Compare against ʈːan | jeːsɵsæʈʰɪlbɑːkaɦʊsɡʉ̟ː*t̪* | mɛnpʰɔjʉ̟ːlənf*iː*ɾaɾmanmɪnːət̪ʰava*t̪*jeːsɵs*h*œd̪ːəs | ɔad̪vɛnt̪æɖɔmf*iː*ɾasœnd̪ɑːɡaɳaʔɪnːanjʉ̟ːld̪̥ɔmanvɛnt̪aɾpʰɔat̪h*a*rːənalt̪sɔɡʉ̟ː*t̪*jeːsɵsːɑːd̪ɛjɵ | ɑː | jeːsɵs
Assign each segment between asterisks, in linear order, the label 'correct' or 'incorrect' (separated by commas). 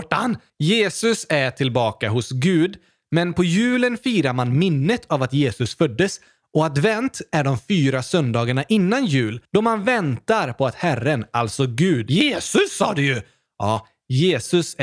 incorrect, correct, correct, incorrect, incorrect, incorrect, incorrect